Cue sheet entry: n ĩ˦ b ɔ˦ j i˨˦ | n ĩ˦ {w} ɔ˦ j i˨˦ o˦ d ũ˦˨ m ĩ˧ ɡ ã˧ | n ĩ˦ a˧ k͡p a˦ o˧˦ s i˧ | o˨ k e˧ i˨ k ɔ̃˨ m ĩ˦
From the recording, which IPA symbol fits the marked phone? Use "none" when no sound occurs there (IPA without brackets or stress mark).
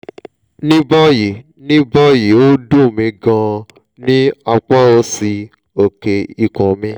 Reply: b